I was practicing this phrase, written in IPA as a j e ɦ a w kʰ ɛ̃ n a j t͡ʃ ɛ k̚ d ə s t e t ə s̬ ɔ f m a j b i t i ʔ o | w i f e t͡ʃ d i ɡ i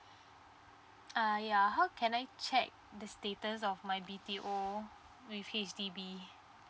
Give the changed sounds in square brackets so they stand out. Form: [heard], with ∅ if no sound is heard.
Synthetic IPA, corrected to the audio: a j [a] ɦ a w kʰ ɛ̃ n a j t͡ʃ ɛ k̚ d ə s t e t ə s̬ ɔ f m a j b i t i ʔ o | w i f e t͡ʃ d i [b] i